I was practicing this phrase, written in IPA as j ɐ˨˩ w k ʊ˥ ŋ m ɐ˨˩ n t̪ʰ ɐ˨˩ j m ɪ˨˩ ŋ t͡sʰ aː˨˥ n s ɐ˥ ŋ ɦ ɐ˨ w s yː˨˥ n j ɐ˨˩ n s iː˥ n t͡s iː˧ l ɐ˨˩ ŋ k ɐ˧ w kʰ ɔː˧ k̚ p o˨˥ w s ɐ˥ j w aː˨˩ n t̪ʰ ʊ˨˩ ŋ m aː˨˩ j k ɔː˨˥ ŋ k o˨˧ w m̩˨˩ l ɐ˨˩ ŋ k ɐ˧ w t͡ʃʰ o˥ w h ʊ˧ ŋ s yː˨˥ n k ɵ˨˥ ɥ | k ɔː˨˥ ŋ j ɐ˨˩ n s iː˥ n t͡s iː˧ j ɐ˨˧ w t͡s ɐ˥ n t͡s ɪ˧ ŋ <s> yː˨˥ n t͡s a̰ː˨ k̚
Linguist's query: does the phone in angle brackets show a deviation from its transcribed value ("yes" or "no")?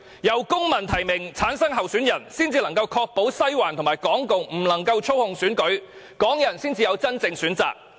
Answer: no